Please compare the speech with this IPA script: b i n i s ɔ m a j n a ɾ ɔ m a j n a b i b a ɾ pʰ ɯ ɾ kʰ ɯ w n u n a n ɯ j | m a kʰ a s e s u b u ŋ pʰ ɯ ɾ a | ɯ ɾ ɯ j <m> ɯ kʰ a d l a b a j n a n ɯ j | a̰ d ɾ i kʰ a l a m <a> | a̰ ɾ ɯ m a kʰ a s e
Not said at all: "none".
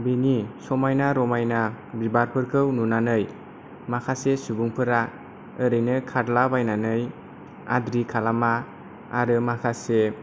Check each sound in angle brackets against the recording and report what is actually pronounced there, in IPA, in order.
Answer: n, a

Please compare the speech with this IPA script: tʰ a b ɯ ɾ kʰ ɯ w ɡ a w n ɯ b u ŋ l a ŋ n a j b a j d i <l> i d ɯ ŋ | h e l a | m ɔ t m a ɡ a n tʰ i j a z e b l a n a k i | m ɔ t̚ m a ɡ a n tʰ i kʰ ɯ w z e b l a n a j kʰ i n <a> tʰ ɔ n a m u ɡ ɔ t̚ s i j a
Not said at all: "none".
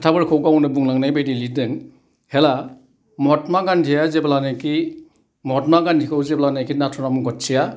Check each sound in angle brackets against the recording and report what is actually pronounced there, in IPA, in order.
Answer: l, a

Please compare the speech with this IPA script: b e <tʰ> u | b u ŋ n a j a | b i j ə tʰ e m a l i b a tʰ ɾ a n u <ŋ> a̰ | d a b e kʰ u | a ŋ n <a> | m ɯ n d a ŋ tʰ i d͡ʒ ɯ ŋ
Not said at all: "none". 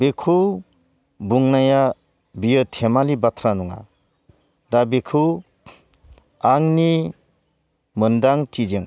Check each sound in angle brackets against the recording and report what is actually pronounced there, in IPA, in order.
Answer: kʰ, ŋ, i

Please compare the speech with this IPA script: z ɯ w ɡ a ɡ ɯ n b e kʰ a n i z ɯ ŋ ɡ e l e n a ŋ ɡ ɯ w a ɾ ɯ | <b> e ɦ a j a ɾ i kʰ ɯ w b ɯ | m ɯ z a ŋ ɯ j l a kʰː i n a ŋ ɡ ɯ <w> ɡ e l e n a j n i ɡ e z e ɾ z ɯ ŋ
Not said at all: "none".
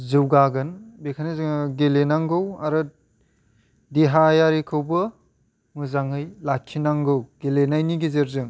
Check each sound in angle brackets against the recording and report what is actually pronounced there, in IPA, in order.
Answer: d, w

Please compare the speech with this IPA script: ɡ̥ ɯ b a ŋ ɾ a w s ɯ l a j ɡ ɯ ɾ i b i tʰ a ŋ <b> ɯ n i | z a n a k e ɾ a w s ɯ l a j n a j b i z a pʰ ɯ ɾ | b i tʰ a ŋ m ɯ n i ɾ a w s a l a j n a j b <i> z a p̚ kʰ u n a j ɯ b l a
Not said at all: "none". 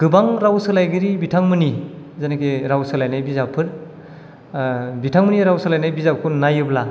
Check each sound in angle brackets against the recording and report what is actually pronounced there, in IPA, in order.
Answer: m, i

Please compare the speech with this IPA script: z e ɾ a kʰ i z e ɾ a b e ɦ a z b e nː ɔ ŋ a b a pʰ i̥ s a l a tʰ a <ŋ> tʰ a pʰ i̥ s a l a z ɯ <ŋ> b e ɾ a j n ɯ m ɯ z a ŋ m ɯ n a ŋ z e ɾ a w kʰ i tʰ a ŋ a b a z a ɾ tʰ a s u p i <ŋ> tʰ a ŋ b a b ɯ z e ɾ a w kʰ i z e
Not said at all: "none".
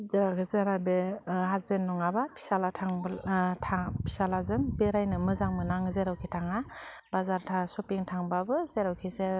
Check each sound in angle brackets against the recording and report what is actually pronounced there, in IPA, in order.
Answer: ŋ, m, ŋ

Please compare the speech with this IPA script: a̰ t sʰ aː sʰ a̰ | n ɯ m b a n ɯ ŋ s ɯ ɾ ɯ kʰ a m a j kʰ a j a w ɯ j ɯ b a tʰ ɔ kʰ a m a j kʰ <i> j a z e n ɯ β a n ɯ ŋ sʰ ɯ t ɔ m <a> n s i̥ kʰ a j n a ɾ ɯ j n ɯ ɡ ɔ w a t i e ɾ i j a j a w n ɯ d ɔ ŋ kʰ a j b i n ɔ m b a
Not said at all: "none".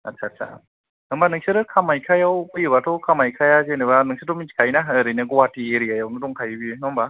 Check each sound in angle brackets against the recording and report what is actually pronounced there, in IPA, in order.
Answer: a, i

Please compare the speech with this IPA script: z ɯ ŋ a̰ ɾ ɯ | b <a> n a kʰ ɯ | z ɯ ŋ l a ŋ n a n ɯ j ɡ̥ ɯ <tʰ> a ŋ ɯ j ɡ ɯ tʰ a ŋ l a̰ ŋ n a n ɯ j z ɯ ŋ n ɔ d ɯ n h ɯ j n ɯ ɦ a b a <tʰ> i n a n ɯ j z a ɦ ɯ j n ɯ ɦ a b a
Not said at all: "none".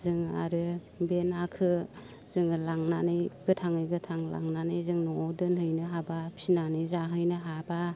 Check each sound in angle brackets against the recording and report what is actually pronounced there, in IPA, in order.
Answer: e, tʰ, pʰ

